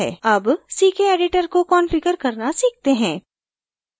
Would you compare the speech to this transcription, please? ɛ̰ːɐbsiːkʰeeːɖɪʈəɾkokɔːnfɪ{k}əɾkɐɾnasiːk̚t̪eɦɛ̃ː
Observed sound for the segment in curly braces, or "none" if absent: k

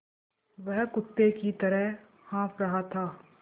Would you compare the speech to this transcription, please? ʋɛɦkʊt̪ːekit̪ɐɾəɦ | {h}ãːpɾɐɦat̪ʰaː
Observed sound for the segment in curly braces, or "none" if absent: h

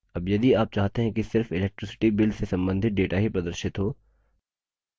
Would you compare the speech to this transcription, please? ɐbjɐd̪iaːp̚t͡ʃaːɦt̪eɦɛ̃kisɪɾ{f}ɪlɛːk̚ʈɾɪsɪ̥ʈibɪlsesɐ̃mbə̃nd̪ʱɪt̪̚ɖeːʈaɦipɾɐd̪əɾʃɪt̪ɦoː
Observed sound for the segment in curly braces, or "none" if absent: f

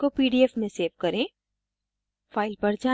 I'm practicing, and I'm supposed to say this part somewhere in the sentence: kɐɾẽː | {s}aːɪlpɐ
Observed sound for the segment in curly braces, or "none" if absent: f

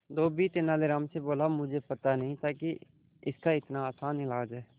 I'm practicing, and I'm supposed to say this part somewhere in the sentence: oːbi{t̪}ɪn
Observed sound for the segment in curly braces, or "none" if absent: t̪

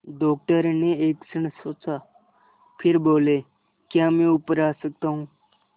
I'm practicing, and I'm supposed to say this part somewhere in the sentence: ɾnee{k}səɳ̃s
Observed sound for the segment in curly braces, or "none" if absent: k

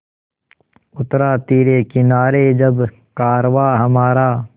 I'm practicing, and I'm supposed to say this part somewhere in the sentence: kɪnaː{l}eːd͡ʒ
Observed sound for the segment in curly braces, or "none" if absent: ɾ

